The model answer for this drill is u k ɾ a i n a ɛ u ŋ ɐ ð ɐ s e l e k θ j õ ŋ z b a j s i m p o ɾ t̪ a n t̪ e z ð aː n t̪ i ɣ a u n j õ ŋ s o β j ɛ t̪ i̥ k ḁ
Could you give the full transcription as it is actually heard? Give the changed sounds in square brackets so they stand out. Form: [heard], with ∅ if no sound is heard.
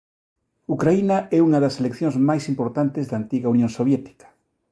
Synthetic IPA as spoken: u k ɾ a i n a ɛ u ŋ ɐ ð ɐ s e l e k θ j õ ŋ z [m] a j s i m p o ɾ t̪ a n t̪ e z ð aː n t̪ i ɣ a u n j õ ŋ s o β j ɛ t̪ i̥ k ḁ